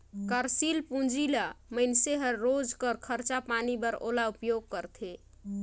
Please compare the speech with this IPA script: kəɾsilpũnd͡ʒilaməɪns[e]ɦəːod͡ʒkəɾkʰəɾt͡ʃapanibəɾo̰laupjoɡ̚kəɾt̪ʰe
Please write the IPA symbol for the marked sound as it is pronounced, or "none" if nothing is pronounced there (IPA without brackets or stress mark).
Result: e